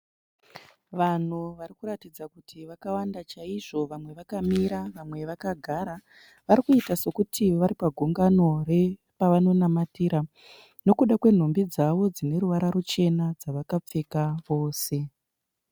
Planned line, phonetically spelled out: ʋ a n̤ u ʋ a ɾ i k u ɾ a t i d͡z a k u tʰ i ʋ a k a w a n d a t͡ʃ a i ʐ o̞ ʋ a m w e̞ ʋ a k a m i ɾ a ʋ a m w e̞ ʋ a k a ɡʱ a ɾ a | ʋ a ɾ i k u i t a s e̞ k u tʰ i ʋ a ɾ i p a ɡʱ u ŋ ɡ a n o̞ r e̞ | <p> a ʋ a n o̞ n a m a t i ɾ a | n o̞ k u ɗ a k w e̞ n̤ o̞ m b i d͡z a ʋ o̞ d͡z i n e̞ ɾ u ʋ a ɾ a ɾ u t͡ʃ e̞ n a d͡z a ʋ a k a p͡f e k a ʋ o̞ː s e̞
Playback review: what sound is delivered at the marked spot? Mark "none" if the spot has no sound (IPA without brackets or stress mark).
p